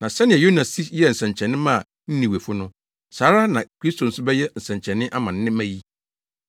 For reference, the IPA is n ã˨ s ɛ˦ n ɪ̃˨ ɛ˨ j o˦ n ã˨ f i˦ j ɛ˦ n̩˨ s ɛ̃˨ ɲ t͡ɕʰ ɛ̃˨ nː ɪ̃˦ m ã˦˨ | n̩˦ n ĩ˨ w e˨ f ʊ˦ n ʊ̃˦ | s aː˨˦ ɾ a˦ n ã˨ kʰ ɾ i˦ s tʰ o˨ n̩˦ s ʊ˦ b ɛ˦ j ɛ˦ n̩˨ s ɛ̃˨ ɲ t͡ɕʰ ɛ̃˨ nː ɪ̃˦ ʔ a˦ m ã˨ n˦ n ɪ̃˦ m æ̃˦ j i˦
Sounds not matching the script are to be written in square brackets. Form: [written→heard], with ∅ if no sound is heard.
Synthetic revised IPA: n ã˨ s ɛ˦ n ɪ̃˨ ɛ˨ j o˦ n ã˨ [f→s] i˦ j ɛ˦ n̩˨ s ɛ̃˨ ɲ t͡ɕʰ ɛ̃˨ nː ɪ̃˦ m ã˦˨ | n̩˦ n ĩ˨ w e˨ f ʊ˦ n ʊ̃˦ | s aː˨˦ ɾ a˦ n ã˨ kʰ ɾ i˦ s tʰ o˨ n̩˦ s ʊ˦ b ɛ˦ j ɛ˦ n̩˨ s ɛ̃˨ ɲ t͡ɕʰ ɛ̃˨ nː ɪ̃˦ ʔ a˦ m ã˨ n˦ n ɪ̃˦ m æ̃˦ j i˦